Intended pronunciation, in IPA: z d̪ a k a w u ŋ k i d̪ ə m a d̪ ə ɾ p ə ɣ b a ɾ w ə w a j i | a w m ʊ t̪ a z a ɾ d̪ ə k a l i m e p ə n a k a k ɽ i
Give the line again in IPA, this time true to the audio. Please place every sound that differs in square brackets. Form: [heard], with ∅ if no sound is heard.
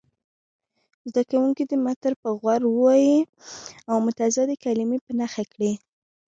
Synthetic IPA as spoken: z d̪ a k a w u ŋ k i d̪ ə m a [t̪] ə ɾ p ə ɣ [w] a ɾ w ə w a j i | a w m ʊ t̪ a z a [∅] d̪ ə k a l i m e p ə n a [x] a k ɽ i